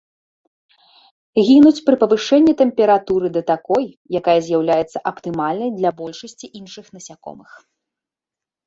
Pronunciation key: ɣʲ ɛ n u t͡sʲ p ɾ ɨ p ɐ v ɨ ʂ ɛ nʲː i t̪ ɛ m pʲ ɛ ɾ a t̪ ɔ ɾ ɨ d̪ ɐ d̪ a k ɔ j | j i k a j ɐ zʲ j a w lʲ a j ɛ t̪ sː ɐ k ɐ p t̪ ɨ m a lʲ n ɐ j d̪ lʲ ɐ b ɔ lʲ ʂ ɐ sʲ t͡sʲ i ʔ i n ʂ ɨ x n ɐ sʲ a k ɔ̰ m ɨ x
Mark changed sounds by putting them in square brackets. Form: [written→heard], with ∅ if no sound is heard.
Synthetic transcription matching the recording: ɣʲ [ɛ→i] n u t͡sʲ p ɾ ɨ p ɐ v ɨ ʂ ɛ nʲː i t̪ ɛ m pʲ ɛ ɾ a t̪ [ɔ→u] ɾ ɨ d̪ ɐ [d̪→t̪] a k ɔ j | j [i→a] k a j ɐ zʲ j a w lʲ a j ɛ t̪ sː ɐ [k→ʔ] ɐ p t̪ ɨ m a lʲ n ɐ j d̪ lʲ ɐ b ɔ lʲ ʂ ɐ sʲ t͡sʲ i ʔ i n ʂ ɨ x n ɐ sʲ a k ɔ̰ m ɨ x

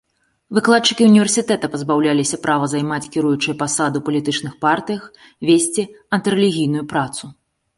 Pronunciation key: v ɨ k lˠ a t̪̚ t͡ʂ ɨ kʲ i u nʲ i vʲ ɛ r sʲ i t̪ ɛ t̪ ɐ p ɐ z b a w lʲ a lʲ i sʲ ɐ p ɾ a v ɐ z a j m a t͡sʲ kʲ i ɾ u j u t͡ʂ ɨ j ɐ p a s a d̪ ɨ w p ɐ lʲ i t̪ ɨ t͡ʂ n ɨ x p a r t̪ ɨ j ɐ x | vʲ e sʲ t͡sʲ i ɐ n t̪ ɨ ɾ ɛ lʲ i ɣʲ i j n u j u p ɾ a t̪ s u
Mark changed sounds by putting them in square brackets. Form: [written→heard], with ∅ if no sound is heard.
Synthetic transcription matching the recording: v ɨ k lˠ a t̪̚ t͡ʂ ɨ kʲ i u nʲ i vʲ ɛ r sʲ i t̪ ɛ t̪ ɐ p ɐ z b a w lʲ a lʲ i sʲ ɐ p ɾ a v ɐ z a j m a t͡sʲ kʲ i ɾ u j u t͡ʂ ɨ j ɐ p a s a d̪ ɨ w p ɐ lʲ i t̪ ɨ t͡ʂ n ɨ x p a r t̪ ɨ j ɐ x | vʲ e sʲ t͡sʲ i ɐ n t̪ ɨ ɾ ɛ lʲ i ɣʲ i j n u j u p ɾ a t̪ s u

